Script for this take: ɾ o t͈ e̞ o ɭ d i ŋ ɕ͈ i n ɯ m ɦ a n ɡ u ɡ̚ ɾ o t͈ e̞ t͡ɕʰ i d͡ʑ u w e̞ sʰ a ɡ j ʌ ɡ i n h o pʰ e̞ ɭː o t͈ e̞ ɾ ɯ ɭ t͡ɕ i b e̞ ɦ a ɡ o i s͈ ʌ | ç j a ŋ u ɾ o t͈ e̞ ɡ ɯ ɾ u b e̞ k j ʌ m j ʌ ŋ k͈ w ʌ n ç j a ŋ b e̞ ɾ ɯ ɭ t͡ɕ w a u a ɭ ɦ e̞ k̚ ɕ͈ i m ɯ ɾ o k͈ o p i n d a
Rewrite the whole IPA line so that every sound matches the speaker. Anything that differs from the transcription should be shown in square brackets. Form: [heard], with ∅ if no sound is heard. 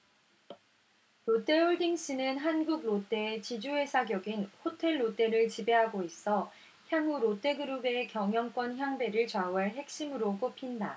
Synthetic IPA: ɾ o t͈ e̞ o ɭ d i ŋ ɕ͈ i n ɯ [n] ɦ a n ɡ u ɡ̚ ɾ o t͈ e̞ [t͡ɕ] i d͡ʑ u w e̞ sʰ a ɡ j ʌ ɡ i n h o [tʰ] e̞ ɭː o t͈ e̞ ɾ ɯ ɭ t͡ɕ i b e̞ ɦ a ɡ o i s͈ ʌ | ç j a ŋ u ɾ o t͈ e̞ ɡ ɯ ɾ u b e̞ k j ʌ [ŋ] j ʌ ŋ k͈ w ʌ n ç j a ŋ b e̞ ɾ ɯ ɭ t͡ɕ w a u a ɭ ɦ e̞ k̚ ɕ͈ i m ɯ ɾ o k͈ o [pʰ] i n d a